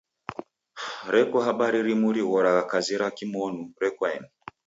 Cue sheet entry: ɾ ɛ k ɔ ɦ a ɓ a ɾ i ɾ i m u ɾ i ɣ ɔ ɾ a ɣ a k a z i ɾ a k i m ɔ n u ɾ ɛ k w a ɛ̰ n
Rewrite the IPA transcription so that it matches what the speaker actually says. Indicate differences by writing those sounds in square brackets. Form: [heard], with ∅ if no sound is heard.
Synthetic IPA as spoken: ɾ ɛ k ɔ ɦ a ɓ a ɾ i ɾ i m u ɾ i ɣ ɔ ɾ a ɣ a k a z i ɾ a k i m ɔ n u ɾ ɛ k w a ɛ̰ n